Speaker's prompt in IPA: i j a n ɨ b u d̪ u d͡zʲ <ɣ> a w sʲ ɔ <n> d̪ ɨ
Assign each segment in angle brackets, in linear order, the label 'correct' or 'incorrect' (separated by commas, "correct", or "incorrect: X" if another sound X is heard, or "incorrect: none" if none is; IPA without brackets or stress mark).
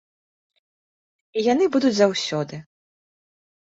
incorrect: z, incorrect: none